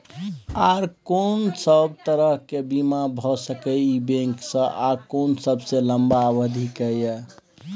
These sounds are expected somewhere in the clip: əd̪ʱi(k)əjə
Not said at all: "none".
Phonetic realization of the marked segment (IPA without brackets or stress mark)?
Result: k